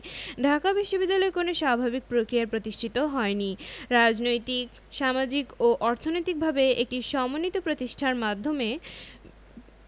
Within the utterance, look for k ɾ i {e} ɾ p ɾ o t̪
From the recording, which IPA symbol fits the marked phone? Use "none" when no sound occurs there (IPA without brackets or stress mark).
a